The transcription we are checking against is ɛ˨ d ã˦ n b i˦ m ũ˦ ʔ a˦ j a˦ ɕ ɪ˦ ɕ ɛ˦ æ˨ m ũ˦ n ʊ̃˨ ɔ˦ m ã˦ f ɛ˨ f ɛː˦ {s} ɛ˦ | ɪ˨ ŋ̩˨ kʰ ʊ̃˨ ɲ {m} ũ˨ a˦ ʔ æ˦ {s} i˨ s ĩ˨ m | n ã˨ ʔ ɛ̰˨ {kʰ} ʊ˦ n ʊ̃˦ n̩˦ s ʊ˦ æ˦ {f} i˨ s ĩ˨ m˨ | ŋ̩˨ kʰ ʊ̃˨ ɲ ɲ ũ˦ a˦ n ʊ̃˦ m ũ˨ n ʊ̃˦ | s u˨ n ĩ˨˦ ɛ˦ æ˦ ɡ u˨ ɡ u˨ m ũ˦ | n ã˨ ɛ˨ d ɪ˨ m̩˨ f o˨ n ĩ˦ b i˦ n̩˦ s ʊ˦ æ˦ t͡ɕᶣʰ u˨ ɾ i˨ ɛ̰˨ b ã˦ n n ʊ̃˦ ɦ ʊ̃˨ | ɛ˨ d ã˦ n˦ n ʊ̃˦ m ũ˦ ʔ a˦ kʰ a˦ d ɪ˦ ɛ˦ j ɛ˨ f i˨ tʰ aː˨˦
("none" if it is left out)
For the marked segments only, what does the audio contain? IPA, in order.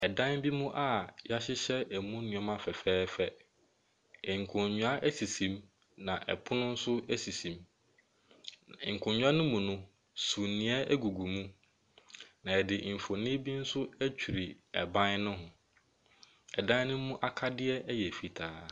f, ɲ, s, pʰ, s

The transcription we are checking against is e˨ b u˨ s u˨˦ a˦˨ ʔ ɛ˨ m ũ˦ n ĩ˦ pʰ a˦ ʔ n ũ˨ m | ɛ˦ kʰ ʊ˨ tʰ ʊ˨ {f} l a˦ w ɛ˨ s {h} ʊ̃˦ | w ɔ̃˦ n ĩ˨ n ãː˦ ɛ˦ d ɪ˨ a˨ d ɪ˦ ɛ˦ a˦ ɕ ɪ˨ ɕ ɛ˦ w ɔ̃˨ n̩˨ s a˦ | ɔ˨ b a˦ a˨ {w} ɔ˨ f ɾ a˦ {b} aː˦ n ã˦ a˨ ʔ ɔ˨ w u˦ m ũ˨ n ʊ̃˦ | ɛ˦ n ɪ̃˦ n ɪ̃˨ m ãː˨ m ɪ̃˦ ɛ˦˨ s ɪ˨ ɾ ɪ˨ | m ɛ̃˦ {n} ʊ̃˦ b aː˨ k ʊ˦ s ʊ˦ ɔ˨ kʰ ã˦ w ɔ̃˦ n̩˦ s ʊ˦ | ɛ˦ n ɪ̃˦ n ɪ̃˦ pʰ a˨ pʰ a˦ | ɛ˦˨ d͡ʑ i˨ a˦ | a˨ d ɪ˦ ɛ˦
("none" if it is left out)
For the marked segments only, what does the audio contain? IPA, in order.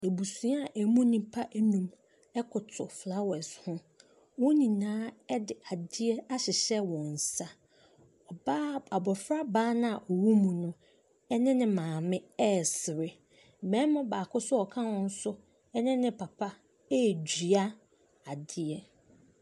f, h, b, b, m

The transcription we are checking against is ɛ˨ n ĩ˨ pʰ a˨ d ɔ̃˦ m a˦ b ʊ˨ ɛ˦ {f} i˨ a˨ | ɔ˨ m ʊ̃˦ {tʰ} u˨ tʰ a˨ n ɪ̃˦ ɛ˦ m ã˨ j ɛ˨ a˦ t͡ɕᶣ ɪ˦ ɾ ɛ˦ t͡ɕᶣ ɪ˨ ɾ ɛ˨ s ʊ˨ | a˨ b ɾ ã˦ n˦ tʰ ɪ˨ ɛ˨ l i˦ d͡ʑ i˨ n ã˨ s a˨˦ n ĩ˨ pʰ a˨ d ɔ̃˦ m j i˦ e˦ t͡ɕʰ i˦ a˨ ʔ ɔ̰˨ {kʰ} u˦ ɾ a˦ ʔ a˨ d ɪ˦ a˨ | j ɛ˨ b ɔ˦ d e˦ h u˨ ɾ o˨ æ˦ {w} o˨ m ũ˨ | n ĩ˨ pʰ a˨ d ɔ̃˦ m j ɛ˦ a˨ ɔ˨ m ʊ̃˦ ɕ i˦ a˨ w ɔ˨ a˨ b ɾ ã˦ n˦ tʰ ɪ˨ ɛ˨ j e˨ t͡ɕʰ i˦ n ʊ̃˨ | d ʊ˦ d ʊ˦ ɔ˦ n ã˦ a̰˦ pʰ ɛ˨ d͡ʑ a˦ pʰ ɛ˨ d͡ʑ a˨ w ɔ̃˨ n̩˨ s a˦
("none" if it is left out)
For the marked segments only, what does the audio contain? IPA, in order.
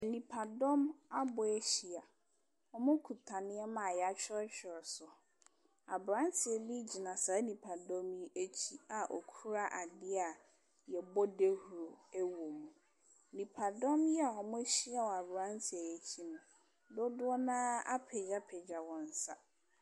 ɕ, kʰ, kʰ, w

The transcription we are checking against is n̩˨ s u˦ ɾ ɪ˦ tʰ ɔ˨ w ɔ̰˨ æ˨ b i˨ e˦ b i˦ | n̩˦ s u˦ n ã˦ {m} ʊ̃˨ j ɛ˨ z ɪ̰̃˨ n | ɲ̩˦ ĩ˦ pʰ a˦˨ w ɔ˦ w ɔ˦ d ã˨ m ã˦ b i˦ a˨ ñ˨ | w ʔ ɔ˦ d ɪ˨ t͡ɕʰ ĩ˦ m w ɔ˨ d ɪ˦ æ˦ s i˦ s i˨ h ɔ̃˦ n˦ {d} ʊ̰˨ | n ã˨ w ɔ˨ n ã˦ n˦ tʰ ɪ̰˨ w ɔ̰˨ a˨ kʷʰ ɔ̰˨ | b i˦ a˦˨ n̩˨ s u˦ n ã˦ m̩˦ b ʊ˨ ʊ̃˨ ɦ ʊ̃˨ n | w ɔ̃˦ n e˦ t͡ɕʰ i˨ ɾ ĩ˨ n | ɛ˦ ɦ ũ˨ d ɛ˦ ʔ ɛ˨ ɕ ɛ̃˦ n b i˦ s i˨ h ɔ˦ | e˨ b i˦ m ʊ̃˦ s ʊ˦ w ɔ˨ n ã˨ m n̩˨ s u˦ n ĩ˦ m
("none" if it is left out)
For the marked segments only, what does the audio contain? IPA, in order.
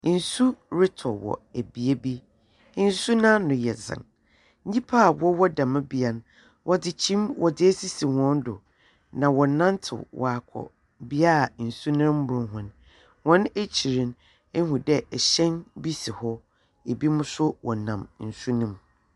n, d

